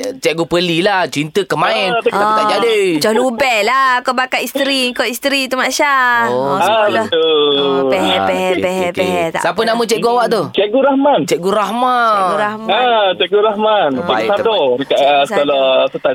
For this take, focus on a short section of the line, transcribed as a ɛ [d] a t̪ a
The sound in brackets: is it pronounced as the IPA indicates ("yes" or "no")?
no